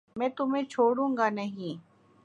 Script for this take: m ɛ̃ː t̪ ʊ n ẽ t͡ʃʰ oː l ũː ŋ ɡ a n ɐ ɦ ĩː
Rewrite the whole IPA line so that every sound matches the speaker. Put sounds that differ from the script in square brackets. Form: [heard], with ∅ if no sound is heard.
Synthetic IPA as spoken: m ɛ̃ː t̪ ʊ [m] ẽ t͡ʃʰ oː [ɽ] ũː ŋ ɡ a n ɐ ɦ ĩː